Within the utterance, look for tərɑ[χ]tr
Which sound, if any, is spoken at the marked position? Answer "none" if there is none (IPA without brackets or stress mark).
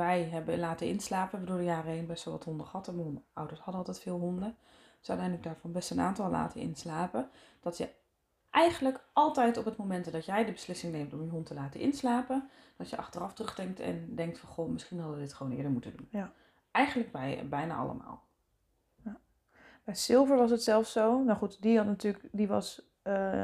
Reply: f